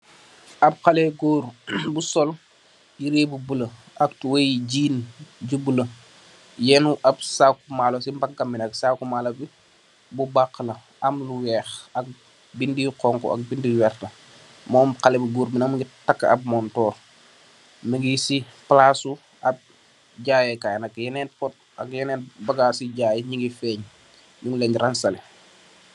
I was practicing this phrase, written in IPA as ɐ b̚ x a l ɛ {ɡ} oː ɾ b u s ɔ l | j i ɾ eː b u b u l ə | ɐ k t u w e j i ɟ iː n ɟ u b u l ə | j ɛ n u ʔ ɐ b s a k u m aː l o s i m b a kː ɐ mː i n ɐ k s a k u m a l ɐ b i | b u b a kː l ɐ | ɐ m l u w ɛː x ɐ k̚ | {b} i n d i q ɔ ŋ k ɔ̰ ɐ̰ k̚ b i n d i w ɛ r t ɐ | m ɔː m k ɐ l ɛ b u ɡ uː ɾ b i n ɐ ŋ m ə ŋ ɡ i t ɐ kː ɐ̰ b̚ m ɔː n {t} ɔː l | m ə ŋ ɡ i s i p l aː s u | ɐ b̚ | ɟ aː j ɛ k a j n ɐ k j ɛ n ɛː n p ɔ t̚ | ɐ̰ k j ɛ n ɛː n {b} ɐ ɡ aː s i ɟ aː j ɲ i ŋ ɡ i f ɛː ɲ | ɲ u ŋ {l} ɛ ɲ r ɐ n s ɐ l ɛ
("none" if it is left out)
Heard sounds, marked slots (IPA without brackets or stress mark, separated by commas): ɡ, b, t, b, l